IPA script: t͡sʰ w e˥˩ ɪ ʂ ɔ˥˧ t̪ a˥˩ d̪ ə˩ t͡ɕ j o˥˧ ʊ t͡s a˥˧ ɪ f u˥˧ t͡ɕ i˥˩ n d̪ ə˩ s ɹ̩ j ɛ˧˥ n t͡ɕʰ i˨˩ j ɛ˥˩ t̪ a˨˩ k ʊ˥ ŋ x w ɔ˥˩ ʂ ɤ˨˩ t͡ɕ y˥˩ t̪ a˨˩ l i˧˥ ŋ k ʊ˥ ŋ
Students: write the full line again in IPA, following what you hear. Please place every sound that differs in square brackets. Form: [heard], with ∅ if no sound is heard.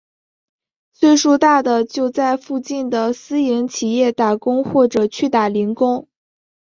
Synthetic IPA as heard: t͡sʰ w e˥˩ ɪ ʂ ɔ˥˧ t̪ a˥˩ d̪ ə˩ t͡ɕ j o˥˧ ʊ t͡s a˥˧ ɪ f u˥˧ t͡ɕ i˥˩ n d̪ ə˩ s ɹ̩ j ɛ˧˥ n t͡ɕʰ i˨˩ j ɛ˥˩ t̪ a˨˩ k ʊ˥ ŋ x w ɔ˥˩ [ʈ͡ʂ] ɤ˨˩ [t͡ɕʰ] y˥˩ t̪ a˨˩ l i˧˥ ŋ k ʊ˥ ŋ

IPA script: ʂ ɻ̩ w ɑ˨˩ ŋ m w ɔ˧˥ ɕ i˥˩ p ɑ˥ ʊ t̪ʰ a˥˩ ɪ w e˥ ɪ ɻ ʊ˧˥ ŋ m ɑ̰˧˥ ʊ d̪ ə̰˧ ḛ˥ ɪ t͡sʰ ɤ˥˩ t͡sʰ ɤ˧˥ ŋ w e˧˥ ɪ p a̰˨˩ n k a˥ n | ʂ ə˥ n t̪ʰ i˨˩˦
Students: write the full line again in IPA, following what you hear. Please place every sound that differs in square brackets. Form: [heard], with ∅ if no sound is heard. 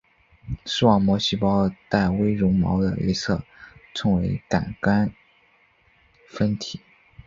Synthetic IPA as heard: ʂ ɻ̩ w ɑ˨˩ ŋ m w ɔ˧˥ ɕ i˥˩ p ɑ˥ ʊ [t̪] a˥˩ ɪ w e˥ ɪ ɻ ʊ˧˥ ŋ m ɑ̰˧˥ ʊ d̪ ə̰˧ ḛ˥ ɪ t͡sʰ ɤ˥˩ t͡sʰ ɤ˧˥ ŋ w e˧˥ ɪ [k] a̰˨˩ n k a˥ n | [f] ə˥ n t̪ʰ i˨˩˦

